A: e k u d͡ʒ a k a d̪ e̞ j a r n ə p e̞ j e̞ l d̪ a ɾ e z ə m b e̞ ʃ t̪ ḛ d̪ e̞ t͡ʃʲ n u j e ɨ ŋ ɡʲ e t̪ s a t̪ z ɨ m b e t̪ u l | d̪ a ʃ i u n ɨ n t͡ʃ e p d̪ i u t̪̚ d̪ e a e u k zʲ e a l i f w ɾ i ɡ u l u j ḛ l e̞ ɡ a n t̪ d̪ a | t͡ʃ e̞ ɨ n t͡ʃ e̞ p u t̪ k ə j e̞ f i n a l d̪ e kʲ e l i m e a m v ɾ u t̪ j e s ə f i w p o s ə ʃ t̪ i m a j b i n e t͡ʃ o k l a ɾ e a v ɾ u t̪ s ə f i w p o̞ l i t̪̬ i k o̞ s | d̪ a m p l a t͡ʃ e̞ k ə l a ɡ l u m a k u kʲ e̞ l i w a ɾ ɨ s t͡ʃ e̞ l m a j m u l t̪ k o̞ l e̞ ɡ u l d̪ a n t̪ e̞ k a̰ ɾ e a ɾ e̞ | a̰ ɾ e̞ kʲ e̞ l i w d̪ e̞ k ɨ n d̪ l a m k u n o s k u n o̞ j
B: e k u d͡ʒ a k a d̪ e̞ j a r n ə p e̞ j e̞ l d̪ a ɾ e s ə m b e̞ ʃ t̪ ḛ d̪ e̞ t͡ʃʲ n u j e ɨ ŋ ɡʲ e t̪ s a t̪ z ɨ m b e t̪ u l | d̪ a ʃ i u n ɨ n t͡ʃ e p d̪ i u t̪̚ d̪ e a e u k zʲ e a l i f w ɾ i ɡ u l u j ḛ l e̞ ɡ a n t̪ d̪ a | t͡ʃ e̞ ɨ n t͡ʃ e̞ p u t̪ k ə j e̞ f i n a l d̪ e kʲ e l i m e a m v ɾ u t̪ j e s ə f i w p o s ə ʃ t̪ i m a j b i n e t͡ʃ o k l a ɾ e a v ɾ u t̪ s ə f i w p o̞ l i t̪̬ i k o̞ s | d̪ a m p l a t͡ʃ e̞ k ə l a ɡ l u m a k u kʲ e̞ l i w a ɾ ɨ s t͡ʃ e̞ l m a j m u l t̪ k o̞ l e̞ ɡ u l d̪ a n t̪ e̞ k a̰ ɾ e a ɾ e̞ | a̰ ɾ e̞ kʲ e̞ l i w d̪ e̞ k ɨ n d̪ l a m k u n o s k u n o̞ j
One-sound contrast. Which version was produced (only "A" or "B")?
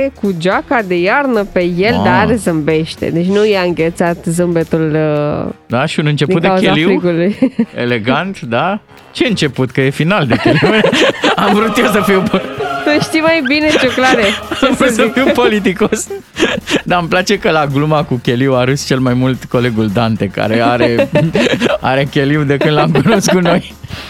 A